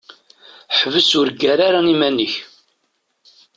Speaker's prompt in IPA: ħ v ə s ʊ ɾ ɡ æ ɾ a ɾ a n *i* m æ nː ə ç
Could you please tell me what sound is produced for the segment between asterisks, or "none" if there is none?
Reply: i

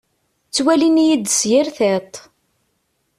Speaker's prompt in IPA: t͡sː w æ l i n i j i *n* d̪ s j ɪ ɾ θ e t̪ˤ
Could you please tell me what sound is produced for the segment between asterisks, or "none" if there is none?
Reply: none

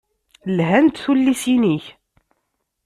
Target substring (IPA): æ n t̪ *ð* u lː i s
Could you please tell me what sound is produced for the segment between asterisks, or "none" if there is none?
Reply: θ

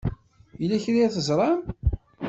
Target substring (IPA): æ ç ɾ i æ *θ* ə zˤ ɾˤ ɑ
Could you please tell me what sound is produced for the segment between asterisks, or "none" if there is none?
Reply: θ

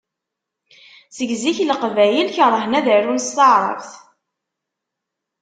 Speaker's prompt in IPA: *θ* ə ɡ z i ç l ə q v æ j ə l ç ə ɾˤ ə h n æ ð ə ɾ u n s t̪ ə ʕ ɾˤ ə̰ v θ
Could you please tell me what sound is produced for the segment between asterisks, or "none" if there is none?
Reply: s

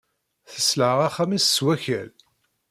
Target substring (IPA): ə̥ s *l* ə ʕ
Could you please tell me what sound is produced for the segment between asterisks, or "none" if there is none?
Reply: l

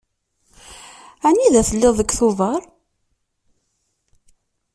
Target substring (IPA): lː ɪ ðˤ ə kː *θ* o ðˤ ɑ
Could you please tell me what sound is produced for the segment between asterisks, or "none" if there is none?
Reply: θ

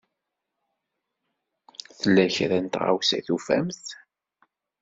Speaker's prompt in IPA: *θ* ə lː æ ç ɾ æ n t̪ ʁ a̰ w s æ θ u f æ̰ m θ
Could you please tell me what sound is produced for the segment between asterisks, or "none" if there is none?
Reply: θ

